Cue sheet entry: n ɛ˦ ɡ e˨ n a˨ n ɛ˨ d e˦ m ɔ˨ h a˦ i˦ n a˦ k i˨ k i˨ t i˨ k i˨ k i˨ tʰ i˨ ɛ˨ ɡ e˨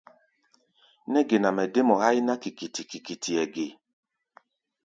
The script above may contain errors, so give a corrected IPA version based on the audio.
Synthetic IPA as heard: n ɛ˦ ɡ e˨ n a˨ m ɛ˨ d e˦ m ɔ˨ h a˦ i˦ n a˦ k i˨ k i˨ t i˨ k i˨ k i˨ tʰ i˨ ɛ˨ ɡ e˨